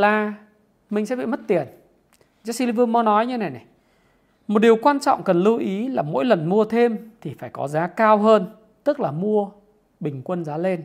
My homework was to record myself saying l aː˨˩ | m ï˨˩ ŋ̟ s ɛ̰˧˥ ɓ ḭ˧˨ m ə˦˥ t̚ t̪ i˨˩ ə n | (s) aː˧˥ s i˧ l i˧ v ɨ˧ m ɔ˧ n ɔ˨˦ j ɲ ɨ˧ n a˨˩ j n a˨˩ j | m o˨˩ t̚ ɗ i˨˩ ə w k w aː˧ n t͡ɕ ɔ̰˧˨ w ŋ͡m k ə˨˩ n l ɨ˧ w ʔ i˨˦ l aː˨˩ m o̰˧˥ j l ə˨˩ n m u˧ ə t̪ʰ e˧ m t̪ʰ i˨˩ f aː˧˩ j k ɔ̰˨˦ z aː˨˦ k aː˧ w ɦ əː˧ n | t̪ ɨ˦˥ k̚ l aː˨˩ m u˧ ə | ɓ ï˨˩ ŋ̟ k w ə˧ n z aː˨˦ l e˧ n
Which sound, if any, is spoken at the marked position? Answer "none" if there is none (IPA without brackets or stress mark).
z